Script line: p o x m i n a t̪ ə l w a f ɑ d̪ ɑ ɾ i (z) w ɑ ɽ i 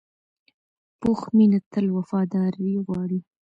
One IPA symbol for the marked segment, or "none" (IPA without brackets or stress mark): ɣ